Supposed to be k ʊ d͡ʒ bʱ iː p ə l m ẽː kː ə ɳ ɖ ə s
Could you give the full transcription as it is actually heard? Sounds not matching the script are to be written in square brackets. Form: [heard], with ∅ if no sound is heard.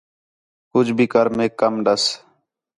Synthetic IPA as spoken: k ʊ d͡ʒ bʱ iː [k] ə [ɾ] m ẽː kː ə [m] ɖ ə s